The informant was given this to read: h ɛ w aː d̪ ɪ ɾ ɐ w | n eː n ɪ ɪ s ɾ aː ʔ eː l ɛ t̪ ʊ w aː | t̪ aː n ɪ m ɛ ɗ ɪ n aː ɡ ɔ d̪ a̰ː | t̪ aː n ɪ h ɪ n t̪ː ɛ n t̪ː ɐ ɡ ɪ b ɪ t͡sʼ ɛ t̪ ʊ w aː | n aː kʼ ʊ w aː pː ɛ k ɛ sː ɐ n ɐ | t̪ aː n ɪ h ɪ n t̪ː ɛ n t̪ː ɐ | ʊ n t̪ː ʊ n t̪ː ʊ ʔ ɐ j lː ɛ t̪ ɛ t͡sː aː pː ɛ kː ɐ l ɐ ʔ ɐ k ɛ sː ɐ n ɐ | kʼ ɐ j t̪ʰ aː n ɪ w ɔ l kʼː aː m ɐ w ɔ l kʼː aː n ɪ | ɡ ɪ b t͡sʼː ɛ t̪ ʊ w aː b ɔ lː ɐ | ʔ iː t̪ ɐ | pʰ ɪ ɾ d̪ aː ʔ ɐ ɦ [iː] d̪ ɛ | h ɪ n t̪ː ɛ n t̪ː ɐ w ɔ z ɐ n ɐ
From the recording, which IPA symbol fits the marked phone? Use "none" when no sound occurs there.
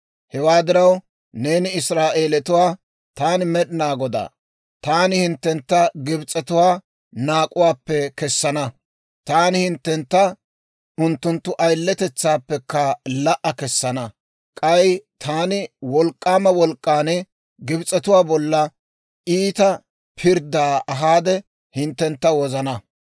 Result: aː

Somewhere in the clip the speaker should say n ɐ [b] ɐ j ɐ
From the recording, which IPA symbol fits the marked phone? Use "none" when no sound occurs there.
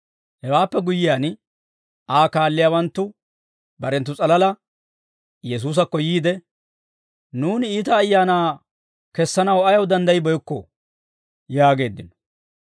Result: w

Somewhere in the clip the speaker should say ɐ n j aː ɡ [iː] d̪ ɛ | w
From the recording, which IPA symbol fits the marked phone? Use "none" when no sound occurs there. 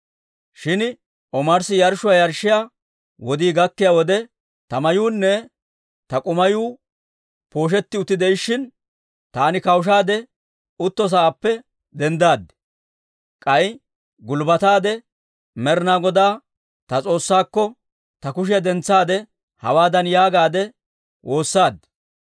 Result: aː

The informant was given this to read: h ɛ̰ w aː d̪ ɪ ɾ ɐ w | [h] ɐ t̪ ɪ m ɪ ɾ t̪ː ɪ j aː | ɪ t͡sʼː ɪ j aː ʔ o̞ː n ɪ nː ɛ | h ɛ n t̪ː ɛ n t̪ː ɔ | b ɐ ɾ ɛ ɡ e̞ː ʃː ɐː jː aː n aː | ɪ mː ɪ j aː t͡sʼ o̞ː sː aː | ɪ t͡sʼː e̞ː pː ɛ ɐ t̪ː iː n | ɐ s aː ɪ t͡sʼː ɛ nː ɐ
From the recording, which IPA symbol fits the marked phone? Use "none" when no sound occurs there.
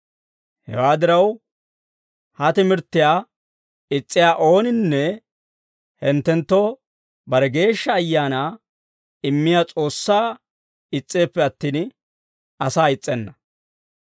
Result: h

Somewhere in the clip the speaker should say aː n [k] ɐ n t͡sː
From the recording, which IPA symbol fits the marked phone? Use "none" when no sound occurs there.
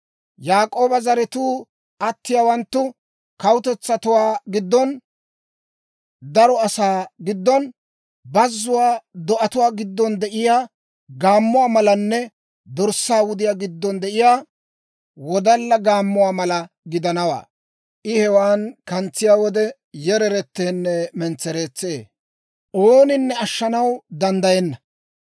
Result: k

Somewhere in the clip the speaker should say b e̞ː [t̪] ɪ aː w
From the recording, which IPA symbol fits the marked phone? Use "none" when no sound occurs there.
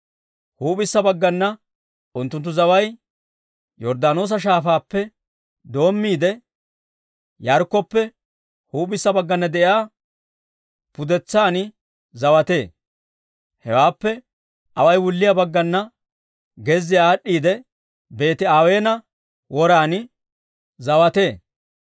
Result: t̪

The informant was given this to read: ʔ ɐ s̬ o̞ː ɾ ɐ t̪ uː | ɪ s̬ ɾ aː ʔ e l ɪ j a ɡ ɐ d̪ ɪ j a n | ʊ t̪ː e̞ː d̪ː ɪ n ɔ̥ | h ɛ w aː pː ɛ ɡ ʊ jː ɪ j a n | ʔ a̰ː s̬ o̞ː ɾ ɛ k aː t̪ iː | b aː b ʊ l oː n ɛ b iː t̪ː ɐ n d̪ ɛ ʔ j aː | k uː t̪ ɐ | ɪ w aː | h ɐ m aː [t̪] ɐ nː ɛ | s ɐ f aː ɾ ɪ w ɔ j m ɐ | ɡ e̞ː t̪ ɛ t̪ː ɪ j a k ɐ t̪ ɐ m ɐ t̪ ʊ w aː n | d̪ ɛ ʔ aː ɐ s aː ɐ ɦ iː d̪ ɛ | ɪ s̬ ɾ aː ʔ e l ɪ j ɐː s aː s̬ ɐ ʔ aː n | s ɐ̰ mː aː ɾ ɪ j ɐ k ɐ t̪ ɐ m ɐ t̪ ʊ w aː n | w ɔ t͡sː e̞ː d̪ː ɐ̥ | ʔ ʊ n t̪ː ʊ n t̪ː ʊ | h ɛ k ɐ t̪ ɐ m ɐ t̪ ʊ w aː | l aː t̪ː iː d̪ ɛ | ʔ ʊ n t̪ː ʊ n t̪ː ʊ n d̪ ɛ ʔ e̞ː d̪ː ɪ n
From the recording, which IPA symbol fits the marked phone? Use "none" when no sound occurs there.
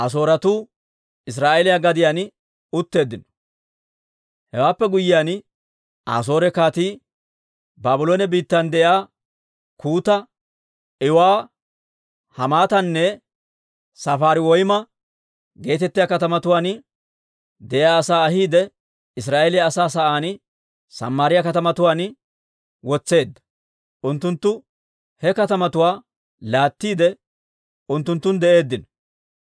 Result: t̪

